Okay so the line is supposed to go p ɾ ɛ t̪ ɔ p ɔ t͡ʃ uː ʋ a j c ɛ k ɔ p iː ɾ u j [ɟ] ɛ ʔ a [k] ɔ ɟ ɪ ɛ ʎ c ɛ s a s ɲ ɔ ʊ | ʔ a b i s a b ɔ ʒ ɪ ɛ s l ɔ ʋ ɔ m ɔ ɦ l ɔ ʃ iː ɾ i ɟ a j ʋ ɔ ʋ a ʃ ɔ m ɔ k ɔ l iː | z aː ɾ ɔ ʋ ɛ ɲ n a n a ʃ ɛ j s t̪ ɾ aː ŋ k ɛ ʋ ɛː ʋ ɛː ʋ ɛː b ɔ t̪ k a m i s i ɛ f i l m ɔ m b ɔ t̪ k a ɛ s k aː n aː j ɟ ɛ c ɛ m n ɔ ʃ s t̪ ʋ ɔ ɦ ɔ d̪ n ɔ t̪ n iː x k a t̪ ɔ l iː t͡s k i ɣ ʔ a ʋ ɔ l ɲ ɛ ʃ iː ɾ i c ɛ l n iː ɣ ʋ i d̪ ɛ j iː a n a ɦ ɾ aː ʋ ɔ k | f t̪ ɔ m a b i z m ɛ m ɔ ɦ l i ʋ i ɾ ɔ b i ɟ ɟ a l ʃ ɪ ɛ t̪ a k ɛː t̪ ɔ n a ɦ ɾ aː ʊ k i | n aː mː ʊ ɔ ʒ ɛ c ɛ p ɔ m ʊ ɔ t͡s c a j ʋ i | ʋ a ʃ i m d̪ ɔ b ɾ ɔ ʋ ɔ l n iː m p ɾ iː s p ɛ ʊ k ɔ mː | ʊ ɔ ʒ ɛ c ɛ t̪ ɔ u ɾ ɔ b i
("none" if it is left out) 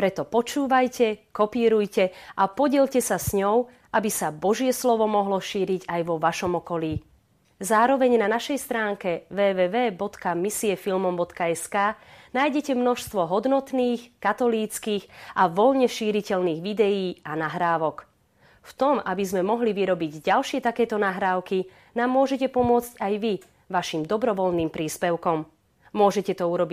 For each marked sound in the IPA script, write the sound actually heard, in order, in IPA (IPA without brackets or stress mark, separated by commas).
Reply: c, p